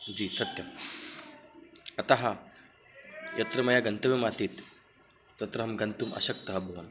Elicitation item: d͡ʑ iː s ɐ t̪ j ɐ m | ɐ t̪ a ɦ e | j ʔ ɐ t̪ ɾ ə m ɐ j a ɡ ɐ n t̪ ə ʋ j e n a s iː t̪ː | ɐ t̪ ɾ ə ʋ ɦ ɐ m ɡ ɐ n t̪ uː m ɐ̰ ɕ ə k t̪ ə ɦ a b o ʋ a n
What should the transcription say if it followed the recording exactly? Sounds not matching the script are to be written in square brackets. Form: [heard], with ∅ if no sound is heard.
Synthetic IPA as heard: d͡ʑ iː s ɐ t̪ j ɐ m | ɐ t̪ a ɦ [a] | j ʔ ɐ t̪ ɾ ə m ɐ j a ɡ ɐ n t̪ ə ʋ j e [m] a s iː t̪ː | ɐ t̪ ɾ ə [∅] ɦ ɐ m ɡ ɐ n t̪ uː m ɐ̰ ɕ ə k t̪ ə ɦ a b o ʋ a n